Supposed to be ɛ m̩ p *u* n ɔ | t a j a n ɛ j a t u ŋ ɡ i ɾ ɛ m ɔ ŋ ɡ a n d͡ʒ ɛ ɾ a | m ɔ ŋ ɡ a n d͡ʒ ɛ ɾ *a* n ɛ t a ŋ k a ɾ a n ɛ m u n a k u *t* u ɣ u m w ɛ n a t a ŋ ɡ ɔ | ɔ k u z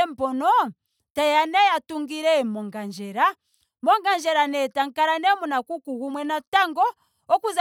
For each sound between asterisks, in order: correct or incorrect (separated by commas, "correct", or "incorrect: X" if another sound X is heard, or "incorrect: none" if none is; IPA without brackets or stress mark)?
incorrect: ɔ, correct, incorrect: k